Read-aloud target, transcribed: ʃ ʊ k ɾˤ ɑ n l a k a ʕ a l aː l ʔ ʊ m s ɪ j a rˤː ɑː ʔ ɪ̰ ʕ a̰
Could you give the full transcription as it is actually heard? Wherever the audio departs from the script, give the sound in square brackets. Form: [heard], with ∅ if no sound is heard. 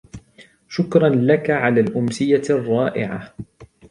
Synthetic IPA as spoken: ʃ ʊ k ɾˤ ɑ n l a k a ʕ a l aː l ʔ ʊ m s ɪ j a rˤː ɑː ʔ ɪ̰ ʕ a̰